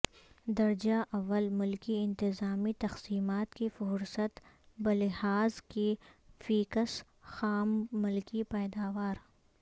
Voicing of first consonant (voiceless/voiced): voiced